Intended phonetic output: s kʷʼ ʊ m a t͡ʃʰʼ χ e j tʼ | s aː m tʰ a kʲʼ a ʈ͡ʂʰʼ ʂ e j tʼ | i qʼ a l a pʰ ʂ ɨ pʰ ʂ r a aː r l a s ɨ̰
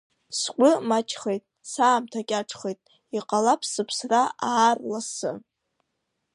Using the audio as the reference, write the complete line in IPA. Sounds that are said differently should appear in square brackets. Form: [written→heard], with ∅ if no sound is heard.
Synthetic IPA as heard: s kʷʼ ʊ m a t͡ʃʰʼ χ e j tʼ | s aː m tʰ a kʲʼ a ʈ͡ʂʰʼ [ʂ→χ] e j tʼ | i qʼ a l a pʰ [ʂ→s] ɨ pʰ [ʂ→s] r a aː r l a s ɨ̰